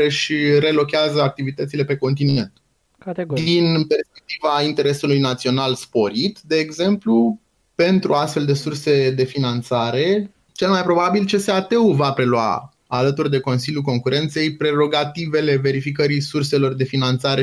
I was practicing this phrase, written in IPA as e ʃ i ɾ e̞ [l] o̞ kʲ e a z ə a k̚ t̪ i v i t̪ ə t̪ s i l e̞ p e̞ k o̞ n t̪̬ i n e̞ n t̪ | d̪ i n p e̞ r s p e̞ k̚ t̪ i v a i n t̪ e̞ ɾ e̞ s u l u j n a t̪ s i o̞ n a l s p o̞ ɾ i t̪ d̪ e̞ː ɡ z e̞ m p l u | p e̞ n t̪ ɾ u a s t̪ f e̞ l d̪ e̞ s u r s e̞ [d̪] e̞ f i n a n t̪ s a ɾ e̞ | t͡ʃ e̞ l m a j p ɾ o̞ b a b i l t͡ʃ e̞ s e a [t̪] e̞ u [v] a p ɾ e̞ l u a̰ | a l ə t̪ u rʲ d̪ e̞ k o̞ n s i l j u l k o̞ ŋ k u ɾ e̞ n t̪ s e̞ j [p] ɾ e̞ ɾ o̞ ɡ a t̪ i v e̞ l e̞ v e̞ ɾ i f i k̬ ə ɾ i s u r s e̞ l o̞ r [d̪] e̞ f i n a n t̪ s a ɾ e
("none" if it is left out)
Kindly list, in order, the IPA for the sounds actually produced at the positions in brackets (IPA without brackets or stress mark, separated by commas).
l, d̪, t̪, v, p, d̪